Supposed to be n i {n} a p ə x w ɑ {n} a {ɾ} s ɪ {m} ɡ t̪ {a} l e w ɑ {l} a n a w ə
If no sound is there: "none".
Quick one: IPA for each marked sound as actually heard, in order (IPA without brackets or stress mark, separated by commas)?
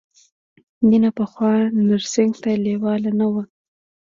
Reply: n, n, ɾ, ŋ, a, l